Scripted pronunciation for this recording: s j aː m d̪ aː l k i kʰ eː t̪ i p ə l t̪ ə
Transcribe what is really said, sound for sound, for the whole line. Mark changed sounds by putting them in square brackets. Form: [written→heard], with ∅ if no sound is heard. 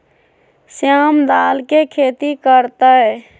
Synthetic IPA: s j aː m d̪ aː l k [i→e] kʰ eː t̪ i [p→k] ə [l→ɾ] t̪ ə